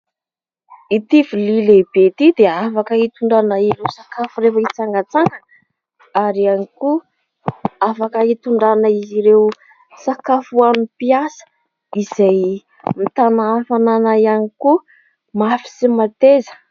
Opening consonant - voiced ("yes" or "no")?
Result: no